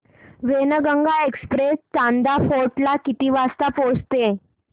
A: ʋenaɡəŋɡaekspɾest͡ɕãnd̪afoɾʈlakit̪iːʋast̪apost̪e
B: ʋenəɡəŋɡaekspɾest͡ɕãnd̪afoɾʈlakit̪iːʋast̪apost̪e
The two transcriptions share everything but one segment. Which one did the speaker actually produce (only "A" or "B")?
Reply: B